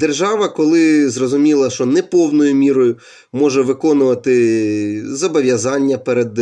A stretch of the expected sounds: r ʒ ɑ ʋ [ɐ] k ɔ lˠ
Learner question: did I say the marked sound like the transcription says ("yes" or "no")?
yes